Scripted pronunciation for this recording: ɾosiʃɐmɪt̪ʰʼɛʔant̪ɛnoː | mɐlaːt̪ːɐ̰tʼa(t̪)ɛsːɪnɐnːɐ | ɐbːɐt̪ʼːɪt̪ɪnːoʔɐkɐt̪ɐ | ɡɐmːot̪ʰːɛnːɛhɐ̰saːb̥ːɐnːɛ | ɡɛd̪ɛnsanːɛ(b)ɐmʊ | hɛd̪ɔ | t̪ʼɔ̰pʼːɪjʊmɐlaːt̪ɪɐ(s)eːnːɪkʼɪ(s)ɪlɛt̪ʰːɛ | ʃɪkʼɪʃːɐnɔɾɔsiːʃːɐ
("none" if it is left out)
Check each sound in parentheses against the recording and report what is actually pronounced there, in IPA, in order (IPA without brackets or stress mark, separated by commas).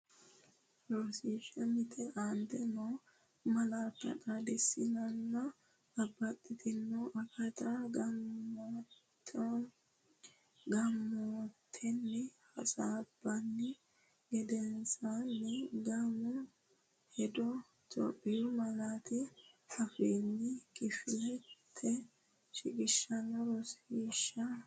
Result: d̪, ɡ, f, f